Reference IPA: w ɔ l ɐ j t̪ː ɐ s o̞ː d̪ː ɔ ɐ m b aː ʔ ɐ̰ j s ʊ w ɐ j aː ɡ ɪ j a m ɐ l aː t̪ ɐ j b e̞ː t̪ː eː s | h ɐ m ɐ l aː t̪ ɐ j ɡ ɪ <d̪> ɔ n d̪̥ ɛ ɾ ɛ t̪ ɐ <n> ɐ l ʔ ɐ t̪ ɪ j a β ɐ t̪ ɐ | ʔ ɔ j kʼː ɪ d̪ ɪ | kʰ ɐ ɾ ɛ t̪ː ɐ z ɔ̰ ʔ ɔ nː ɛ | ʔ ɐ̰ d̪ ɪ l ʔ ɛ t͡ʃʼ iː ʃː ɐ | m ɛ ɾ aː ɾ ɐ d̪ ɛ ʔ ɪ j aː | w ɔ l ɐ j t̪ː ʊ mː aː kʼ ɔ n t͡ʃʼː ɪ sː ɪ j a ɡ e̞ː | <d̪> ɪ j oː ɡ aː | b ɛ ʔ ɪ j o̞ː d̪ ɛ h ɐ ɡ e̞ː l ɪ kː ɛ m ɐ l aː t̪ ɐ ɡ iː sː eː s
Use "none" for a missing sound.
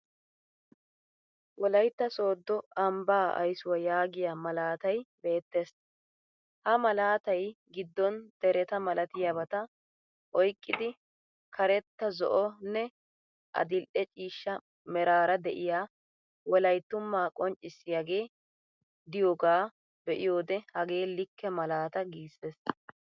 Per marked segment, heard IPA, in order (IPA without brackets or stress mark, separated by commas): d̪ː, m, d̪